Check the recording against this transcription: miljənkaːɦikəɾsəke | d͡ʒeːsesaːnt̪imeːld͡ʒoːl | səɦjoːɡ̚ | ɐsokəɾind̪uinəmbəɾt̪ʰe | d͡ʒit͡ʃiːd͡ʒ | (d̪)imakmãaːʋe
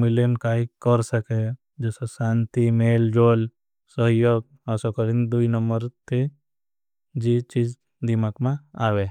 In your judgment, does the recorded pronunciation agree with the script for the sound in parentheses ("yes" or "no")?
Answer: yes